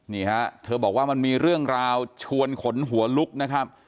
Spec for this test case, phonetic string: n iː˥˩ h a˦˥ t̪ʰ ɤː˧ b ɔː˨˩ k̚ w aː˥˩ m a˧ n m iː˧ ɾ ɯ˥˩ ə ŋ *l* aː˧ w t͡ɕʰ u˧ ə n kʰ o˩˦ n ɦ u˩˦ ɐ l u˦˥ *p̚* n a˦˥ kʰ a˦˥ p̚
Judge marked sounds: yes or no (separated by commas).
no, no